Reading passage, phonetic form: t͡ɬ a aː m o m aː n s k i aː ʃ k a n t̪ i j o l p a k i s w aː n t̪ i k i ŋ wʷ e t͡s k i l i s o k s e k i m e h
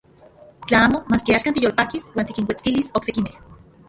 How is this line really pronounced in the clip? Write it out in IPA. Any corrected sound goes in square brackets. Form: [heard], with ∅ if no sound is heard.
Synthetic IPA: t͡ɬ a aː m o m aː [∅] s k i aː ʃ k a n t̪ i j o l p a k i s w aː n t̪ i k i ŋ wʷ e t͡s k i l i s o k s e k i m e h